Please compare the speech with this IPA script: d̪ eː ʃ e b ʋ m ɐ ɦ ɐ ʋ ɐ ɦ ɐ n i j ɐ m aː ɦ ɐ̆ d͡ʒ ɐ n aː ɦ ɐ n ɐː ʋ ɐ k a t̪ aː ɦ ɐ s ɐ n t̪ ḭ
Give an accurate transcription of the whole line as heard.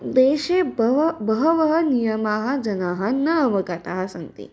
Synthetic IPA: d̪ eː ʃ e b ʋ b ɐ ɦ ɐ ʋ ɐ ɦ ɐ n i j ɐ m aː ɦ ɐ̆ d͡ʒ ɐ n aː ɦ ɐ n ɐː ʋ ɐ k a t̪ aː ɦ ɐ s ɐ n t̪ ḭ